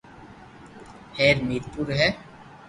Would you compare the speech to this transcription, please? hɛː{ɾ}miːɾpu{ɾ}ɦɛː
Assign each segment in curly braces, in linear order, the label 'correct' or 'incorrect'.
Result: correct, correct

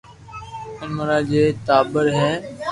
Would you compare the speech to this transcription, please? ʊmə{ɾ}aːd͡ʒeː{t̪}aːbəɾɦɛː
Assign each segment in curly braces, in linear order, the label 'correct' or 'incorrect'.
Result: correct, correct

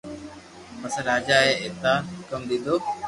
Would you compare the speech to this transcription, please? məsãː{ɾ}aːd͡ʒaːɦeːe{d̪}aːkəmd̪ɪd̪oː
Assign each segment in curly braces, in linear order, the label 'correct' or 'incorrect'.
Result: correct, incorrect

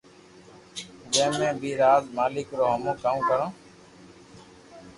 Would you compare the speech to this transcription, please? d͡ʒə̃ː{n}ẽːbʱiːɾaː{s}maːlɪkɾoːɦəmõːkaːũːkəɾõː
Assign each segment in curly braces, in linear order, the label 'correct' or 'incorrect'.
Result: incorrect, incorrect

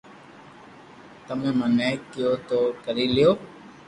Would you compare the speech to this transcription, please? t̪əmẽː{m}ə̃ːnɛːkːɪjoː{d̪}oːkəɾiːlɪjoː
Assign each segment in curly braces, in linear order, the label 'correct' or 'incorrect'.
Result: correct, incorrect

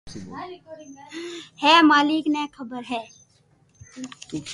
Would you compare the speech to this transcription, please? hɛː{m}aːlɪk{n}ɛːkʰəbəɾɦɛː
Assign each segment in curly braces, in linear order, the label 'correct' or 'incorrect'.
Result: correct, correct

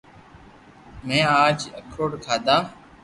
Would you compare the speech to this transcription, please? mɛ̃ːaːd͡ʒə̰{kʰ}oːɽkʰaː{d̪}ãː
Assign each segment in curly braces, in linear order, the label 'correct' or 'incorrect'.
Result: correct, correct

